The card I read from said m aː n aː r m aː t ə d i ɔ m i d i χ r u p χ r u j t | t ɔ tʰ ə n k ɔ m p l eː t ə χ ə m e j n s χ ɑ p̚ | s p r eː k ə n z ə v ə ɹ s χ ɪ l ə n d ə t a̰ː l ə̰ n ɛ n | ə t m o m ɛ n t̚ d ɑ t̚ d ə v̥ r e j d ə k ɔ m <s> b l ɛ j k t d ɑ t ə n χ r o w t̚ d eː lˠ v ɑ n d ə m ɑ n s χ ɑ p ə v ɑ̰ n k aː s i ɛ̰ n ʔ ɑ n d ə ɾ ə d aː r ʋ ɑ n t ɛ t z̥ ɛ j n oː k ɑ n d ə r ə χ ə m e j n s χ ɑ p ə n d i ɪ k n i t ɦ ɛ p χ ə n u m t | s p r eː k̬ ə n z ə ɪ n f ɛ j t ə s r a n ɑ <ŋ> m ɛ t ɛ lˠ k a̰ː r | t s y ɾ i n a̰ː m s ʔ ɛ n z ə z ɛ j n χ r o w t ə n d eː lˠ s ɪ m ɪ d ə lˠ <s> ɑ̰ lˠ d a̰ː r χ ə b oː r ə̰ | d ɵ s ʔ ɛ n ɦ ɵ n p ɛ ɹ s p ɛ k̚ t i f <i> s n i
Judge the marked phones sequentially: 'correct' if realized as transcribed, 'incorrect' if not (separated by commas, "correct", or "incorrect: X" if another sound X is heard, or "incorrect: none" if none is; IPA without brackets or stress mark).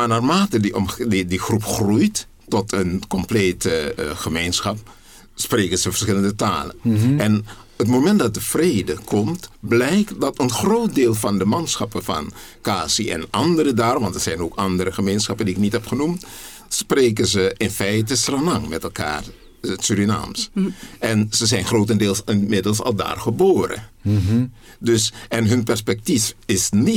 incorrect: t, correct, correct, incorrect: ɪ